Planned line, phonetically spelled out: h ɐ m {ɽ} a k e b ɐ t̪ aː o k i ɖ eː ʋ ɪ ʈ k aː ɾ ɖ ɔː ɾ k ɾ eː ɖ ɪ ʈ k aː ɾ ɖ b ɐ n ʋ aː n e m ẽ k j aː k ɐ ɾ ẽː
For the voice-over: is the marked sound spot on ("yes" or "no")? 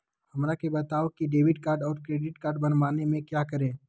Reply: no